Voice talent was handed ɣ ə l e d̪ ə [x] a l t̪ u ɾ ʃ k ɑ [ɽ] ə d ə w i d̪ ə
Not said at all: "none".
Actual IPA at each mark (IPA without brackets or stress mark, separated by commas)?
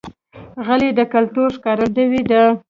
k, ɾ